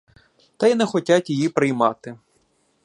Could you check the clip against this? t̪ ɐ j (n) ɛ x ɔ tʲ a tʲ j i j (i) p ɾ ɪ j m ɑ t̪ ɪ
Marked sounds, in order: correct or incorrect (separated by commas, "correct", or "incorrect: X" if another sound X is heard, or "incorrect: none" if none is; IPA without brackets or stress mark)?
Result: correct, correct